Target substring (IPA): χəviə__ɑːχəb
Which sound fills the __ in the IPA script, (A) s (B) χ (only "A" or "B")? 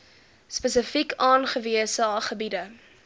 A